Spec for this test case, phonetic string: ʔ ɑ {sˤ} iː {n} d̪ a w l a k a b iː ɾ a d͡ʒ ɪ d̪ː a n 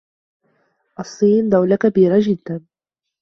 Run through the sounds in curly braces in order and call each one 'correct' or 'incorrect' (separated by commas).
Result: incorrect, correct